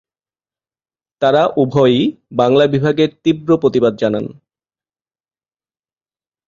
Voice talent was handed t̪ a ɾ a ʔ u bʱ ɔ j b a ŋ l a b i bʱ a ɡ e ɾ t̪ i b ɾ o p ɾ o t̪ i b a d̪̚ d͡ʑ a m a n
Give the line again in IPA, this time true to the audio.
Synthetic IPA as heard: t̪ a ɾ a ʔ u bʱ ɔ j b a ŋ l a b i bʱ a ɡ e ɾ t̪ i b ɾ o p ɾ o t̪ i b a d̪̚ d͡ʑ a n a n